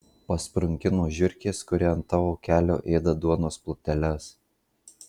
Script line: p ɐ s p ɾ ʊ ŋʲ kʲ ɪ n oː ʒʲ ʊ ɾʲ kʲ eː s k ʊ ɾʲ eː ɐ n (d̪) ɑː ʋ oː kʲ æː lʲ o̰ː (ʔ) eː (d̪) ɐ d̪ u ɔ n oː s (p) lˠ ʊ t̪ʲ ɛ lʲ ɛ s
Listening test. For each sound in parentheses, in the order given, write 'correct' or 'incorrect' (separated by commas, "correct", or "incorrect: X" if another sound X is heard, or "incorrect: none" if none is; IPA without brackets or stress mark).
incorrect: t̪, correct, correct, correct